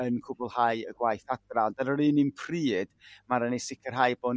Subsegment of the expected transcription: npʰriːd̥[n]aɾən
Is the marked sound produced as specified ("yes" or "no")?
no